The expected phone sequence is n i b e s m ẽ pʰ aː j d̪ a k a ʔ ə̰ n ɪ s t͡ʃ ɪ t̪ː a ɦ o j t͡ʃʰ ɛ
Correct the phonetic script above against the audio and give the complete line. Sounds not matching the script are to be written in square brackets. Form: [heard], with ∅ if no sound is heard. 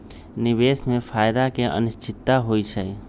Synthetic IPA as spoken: n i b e s m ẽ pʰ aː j d̪ a k [e] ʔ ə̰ n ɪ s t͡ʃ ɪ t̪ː a ɦ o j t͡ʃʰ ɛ